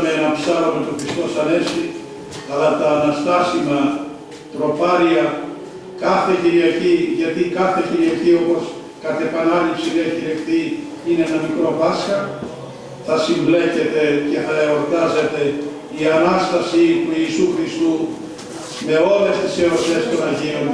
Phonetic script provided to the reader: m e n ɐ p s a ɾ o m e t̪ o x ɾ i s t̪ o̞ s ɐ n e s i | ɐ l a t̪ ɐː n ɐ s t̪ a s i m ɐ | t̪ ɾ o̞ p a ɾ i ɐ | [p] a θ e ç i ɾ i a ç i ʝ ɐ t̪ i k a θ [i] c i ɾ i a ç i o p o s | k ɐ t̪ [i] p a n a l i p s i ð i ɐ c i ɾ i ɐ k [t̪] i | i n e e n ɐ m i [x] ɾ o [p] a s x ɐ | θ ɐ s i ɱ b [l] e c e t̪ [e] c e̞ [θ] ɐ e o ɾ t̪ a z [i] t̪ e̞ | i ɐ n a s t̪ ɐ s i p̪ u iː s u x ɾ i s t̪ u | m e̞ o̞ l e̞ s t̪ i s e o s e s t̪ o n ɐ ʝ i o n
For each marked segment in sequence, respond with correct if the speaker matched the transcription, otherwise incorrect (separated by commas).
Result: incorrect, incorrect, incorrect, correct, incorrect, correct, correct, correct, correct, incorrect